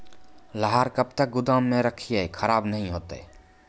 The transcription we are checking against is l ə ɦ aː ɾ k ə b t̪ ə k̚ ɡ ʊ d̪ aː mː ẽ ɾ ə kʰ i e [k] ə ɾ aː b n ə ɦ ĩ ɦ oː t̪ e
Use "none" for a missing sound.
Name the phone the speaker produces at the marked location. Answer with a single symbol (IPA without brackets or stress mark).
kʰ